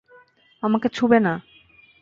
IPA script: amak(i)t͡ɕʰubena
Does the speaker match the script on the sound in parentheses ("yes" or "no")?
no